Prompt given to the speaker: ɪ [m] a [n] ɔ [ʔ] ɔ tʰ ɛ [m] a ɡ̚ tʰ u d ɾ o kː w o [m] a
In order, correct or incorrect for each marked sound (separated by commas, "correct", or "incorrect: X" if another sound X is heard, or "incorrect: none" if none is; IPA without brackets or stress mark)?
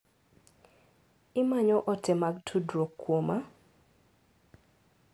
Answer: correct, incorrect: ɲ, correct, correct, correct